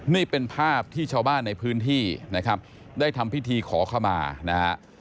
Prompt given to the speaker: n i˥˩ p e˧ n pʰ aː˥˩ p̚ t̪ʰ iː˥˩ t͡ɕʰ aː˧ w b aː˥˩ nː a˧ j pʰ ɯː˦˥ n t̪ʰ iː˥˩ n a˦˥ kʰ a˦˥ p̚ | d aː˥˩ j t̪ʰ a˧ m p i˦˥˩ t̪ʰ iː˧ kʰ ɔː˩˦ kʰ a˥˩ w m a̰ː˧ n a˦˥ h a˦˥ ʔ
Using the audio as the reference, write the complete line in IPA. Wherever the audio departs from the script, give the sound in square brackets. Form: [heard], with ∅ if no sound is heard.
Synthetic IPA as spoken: n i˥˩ p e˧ n pʰ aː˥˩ p̚ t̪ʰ iː˥˩ t͡ɕʰ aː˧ w b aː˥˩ nː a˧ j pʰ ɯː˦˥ n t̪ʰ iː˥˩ n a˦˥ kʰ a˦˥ p̚ | d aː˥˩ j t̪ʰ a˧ m p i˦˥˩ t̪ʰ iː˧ kʰ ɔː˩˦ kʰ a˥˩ w m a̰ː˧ n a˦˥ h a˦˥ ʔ